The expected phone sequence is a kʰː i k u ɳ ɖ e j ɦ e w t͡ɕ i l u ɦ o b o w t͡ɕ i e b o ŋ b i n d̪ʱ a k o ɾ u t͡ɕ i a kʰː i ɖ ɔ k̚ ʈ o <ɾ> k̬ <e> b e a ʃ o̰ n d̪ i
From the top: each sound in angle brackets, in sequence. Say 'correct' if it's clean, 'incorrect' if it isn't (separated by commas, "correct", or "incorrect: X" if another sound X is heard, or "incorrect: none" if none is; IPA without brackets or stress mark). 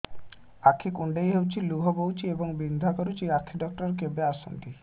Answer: correct, correct